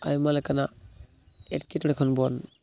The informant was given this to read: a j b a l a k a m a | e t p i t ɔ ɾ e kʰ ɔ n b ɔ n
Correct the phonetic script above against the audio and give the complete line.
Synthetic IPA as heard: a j m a l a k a n a | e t k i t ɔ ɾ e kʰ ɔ n b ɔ n